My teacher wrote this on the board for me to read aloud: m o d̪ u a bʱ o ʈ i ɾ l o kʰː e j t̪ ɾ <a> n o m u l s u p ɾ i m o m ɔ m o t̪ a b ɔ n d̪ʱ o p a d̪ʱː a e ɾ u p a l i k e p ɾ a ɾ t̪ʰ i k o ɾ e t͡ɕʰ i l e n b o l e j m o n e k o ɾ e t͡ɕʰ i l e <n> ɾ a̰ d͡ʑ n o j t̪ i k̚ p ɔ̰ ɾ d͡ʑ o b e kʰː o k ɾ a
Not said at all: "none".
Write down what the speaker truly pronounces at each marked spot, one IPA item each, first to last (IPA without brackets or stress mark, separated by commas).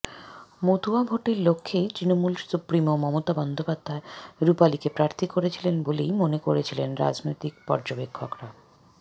i, n